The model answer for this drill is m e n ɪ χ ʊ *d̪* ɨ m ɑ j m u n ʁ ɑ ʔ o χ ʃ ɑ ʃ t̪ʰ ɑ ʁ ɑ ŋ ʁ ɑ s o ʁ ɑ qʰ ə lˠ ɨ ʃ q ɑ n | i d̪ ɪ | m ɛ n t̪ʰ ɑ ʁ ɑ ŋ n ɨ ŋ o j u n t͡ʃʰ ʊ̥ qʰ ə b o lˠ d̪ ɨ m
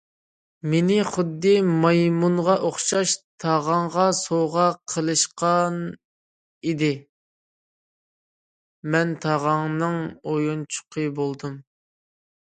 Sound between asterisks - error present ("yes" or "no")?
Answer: yes